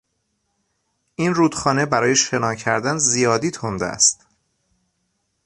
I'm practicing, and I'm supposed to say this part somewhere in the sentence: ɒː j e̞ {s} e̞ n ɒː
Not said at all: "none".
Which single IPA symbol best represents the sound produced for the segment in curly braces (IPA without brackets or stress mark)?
ʃ